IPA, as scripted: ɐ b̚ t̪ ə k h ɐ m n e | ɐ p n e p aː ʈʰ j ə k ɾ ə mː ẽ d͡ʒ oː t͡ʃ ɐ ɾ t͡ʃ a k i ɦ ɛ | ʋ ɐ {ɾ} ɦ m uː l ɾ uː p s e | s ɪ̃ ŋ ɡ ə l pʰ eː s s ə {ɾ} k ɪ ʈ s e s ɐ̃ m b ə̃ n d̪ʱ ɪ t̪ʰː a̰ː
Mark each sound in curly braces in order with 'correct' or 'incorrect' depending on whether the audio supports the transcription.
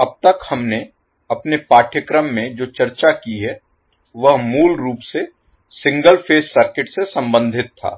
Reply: incorrect, correct

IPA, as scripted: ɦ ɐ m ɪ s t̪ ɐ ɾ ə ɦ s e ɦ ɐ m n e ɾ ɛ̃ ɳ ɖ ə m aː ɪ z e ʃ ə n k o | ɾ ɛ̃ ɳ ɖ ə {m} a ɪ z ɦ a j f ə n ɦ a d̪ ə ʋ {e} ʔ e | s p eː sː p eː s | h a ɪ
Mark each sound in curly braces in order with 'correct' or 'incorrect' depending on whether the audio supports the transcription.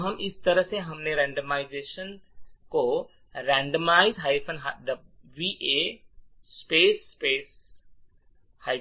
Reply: correct, incorrect

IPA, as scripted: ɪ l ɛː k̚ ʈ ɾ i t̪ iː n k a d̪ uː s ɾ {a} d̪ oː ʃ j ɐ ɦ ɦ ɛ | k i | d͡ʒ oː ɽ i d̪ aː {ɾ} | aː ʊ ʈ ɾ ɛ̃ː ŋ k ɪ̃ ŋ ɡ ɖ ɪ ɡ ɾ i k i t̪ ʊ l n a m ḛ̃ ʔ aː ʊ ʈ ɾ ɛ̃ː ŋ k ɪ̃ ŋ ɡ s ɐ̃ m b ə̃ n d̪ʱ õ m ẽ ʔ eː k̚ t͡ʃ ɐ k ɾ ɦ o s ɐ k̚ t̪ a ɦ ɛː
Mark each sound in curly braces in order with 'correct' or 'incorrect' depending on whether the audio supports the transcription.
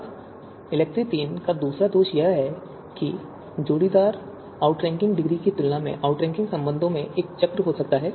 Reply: correct, correct

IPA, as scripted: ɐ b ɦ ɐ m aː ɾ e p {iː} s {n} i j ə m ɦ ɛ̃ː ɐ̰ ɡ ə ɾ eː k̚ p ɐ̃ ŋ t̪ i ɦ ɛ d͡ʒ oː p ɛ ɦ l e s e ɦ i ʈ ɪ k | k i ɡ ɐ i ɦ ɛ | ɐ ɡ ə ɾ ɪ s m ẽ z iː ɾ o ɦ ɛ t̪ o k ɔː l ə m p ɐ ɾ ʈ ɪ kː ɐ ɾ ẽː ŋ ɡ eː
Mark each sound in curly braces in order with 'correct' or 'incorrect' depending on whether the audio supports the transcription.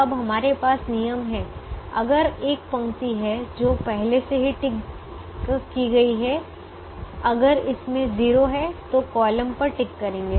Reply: incorrect, correct

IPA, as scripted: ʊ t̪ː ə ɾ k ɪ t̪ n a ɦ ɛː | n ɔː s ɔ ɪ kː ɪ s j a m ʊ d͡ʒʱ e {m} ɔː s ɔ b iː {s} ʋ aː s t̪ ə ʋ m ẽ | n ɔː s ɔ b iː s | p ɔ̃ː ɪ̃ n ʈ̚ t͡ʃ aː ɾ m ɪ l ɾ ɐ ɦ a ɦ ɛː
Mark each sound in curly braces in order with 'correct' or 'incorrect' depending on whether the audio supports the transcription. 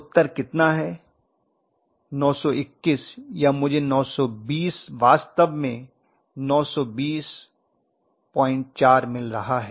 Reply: incorrect, correct

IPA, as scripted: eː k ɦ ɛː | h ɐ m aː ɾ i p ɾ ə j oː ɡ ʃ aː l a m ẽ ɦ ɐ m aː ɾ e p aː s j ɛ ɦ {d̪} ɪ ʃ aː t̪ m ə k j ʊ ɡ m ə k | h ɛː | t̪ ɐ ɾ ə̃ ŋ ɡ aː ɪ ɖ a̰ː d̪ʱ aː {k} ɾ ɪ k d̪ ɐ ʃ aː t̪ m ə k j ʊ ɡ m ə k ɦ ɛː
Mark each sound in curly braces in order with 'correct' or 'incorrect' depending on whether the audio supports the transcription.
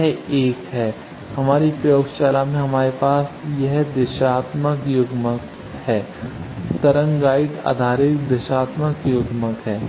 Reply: correct, incorrect

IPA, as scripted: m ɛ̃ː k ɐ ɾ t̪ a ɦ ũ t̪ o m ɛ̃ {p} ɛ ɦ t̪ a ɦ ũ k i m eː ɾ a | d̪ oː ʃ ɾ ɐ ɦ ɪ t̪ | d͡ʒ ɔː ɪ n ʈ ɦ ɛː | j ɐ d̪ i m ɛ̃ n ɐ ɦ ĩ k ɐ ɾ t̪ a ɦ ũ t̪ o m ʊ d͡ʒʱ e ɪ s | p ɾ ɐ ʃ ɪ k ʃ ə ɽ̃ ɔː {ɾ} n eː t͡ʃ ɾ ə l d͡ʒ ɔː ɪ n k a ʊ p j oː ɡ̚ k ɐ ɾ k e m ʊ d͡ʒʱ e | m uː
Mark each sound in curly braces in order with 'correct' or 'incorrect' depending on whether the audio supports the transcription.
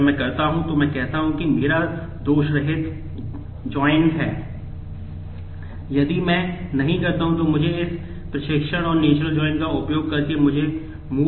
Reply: incorrect, correct

